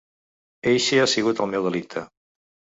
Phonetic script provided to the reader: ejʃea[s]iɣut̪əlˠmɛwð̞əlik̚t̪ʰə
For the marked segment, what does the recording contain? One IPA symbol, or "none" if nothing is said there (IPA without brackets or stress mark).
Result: s